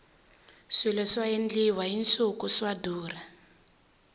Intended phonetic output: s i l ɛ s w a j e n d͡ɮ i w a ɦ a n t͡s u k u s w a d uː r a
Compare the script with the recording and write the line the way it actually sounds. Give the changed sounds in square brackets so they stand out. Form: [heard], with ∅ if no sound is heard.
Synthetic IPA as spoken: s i l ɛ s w a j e n d͡ɮ i w a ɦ [i] n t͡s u k u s w a d uː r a